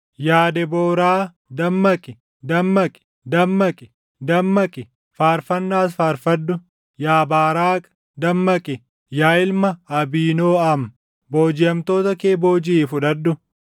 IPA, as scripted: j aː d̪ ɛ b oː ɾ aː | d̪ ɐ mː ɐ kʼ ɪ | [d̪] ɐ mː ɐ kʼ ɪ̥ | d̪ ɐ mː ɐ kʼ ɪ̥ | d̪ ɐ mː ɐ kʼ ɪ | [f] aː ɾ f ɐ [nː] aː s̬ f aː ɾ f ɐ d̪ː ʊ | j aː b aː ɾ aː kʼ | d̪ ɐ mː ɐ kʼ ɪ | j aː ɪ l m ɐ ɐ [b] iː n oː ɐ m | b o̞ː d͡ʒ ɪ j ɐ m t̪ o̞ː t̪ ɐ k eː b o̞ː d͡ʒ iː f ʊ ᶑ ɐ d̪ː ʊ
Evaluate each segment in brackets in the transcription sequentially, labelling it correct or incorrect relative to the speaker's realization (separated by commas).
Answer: correct, correct, correct, correct